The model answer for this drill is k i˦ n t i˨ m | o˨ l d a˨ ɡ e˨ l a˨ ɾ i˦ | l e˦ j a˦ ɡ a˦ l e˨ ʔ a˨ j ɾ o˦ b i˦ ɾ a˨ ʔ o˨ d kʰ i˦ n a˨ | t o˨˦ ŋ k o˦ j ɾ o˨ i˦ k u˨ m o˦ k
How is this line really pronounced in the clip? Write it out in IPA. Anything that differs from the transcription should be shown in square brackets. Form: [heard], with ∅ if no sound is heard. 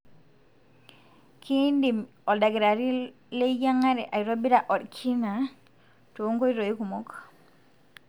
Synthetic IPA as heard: k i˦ n [d] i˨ m | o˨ l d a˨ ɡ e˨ [ɾ] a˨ ɾ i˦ | l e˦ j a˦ [ŋ] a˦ [ɾ] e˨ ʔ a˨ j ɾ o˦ b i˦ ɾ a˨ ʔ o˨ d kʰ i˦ n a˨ | t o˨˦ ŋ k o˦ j ɾ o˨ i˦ k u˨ m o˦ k

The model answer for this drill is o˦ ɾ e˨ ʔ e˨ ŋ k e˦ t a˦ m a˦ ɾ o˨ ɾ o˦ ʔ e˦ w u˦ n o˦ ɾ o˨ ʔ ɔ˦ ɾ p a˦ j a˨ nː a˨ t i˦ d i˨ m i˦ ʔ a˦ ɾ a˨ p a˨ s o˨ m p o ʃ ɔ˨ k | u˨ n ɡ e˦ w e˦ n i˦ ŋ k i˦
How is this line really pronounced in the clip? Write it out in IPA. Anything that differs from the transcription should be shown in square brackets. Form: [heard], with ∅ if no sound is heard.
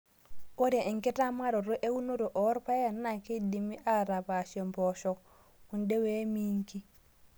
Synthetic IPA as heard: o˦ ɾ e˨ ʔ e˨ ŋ k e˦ t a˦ m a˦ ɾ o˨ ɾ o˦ ʔ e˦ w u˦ n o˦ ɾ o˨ ʔ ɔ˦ ɾ p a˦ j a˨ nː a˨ [k] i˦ d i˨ m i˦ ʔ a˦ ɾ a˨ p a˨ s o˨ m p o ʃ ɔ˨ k | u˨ n [d] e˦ w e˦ [m] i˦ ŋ k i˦

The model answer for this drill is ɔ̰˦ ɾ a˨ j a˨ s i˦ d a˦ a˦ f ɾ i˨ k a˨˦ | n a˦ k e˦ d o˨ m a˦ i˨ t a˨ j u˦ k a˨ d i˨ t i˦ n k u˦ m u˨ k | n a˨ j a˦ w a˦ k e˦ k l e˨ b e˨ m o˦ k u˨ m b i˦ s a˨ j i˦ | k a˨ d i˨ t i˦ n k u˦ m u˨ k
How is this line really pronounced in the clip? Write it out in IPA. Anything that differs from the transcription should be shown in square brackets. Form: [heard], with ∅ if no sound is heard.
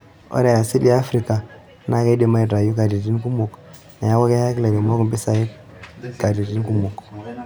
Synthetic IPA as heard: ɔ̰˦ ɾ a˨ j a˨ s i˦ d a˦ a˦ f ɾ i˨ k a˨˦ | n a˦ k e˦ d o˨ m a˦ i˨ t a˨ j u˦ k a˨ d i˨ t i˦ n k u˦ m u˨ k | n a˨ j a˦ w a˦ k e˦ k l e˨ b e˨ m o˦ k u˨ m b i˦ s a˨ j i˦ | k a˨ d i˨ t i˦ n k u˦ m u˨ k

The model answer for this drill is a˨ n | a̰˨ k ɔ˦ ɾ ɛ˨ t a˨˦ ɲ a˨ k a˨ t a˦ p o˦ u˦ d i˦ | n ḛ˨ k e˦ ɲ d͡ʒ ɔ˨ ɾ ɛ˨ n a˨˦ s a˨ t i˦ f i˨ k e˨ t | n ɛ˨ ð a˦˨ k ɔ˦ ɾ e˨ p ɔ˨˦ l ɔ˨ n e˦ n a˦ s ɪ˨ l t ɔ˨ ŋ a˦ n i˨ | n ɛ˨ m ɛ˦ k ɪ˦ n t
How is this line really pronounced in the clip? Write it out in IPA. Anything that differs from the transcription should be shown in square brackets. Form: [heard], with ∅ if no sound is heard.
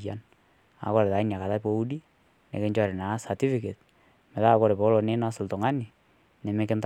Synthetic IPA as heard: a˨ n | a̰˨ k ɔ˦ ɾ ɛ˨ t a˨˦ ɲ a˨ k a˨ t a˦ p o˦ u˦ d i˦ | n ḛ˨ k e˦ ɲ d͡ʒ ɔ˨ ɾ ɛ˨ n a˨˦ s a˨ t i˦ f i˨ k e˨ t | [m] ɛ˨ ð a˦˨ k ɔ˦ ɾ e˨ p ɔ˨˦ l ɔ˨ n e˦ n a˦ s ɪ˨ l t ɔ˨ ŋ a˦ n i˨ | n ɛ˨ m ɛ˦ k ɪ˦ n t

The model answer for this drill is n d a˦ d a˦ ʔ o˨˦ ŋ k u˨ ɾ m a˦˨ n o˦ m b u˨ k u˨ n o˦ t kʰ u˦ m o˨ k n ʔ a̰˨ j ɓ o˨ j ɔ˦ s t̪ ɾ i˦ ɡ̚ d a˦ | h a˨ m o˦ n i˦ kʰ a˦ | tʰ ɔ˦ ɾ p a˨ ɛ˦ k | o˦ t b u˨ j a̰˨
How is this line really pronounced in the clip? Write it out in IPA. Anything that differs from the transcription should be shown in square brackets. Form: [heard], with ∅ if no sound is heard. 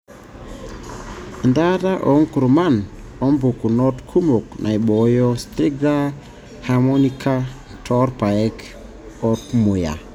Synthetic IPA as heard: n d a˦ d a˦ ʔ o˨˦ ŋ k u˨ ɾ m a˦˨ n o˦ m b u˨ k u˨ n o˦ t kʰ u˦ m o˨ k n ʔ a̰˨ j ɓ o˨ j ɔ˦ s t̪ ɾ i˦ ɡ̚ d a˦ | h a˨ m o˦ n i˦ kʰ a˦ | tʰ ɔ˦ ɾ p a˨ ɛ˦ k | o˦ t [m] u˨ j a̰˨

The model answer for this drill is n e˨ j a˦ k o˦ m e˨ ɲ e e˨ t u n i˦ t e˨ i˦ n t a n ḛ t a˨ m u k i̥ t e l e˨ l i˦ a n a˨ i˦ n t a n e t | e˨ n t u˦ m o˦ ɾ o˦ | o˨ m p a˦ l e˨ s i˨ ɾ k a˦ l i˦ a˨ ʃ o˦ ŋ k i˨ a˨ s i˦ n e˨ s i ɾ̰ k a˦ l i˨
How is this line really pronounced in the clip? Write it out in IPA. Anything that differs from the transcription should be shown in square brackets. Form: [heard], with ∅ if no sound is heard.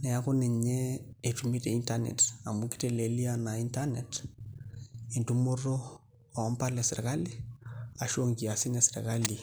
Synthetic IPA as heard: n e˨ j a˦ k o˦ [n] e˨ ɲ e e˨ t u [m] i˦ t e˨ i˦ n t a n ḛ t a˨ m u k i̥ t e l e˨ l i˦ a n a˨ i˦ n t a n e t | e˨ n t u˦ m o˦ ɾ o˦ | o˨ m p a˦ l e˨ s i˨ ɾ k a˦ l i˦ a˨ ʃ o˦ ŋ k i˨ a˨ s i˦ n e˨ s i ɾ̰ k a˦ l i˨

